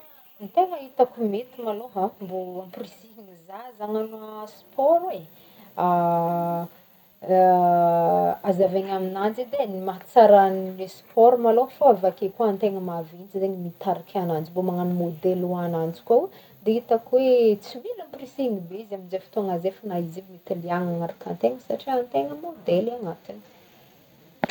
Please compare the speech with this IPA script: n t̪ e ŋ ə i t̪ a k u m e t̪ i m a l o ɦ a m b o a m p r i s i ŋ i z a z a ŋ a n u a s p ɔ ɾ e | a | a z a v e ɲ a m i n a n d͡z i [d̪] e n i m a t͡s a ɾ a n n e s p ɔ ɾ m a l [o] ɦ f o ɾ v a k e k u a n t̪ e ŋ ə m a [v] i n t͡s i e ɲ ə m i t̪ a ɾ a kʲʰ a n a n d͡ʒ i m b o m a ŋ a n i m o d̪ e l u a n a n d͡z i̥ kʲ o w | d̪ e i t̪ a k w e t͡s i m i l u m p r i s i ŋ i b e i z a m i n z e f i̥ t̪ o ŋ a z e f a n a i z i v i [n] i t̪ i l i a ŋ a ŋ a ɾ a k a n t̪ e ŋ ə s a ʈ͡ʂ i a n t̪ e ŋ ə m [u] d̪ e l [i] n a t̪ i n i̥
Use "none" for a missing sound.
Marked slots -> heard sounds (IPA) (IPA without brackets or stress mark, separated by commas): d̪, o, v, m, o, a